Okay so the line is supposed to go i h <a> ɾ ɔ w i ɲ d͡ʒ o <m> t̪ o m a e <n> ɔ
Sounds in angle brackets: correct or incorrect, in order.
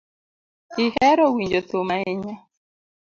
incorrect: ɛ, incorrect: none, incorrect: ɲ

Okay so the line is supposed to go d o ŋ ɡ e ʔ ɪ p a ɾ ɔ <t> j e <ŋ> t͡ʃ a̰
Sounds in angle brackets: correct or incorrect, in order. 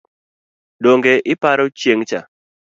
incorrect: t͡ʃ, correct

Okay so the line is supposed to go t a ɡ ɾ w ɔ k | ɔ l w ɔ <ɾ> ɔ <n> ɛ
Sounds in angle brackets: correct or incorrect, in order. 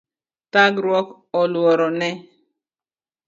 correct, correct

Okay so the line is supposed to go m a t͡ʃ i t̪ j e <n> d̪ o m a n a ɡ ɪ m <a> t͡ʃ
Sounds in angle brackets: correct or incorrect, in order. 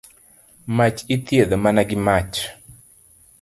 incorrect: none, correct

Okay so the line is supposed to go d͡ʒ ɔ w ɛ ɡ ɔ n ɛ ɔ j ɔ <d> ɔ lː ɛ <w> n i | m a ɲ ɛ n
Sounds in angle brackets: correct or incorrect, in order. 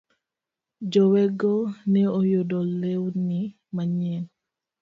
correct, correct

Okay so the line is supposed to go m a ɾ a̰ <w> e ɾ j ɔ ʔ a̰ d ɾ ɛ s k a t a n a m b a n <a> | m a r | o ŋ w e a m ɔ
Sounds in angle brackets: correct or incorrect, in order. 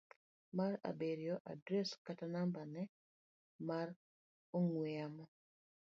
incorrect: b, incorrect: ɛ

